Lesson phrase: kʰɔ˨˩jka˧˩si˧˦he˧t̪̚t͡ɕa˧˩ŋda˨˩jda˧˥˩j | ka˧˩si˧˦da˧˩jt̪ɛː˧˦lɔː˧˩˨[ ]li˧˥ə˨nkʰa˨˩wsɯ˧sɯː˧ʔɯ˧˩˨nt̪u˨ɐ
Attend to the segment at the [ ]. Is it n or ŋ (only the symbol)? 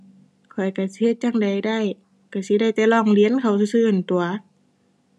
ŋ